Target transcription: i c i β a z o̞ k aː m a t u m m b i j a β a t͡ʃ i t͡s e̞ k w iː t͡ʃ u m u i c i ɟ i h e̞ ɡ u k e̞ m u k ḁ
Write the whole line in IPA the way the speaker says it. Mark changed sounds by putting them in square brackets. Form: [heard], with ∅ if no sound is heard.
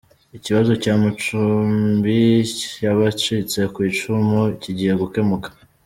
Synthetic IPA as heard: i c i β a z o̞ [c] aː m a [t͡ʃ] u m m b i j a β a t͡ʃ i t͡s e̞ k w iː t͡ʃ u m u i c i ɟ i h e̞ ɡ u k e̞ m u k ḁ